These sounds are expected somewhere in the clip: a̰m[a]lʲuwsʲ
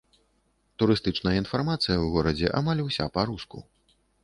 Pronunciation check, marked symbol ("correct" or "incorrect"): correct